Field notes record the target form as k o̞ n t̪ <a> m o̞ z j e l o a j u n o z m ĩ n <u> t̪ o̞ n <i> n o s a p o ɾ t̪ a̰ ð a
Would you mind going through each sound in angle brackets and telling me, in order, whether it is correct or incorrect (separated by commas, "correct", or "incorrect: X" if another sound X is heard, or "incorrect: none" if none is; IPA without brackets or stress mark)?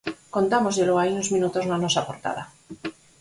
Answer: correct, correct, incorrect: a